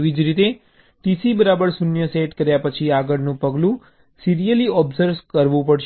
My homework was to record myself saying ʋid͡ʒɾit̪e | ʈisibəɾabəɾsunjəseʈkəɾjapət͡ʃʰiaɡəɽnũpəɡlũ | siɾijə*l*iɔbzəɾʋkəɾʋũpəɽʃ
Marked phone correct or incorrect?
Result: correct